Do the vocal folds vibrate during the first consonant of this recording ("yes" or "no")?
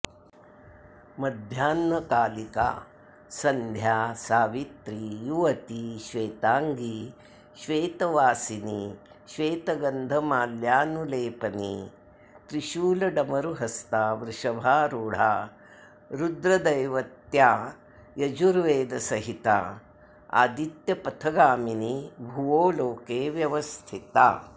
yes